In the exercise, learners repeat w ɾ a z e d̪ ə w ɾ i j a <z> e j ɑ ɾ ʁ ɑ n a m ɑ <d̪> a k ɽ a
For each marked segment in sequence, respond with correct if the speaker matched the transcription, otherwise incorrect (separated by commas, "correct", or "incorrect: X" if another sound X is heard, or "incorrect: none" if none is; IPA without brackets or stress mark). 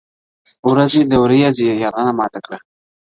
correct, incorrect: t̪